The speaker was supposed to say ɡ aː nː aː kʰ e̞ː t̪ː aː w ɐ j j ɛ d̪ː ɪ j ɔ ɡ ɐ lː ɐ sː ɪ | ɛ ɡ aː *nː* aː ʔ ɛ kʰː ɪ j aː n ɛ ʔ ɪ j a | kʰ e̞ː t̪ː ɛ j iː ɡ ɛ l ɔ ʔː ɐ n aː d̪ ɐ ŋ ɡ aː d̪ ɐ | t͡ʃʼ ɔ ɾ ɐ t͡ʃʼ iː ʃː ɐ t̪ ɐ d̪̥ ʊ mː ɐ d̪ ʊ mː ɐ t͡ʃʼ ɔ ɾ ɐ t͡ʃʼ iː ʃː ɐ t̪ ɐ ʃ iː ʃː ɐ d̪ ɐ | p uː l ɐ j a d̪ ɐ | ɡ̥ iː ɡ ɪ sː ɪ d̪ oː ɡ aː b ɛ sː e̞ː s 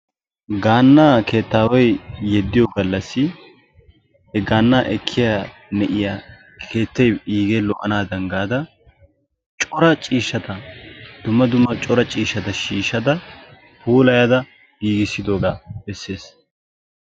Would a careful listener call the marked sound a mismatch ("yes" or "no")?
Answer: no